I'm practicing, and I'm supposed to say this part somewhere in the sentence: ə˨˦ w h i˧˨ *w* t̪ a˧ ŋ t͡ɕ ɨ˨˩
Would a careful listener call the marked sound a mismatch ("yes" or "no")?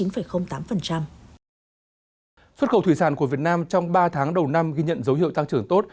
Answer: no